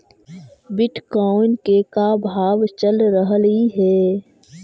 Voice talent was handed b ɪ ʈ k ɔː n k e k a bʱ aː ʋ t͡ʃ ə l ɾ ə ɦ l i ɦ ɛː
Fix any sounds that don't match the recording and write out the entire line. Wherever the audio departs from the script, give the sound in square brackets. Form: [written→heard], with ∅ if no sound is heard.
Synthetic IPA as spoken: b ɪ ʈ k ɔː n k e k a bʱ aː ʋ t͡ʃ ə l ɾ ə ɦ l i ɦ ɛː